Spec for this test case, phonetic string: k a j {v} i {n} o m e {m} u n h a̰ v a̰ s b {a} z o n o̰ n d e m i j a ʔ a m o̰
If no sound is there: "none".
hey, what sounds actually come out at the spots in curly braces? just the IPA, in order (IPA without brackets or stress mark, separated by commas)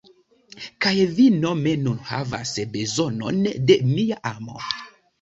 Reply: v, n, n, e